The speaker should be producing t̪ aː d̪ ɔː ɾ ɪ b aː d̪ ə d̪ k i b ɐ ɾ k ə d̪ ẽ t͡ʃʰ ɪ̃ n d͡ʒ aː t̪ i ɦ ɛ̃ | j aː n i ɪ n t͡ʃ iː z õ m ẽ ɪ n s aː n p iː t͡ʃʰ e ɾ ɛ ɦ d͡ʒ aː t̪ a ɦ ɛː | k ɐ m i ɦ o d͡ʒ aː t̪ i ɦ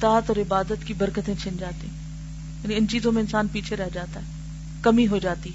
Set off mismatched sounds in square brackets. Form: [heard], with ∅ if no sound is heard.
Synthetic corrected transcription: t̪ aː [t̪] ɔː ɾ ɪ b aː d̪ ə [t̪] k i b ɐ ɾ k ə [t̪] ẽ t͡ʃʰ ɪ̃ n d͡ʒ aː t̪ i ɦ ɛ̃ | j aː n i ɪ n t͡ʃ iː z õ m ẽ ɪ n s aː n p iː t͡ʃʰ e ɾ ɛ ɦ d͡ʒ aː t̪ a ɦ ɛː | k ɐ m i ɦ o d͡ʒ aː t̪ i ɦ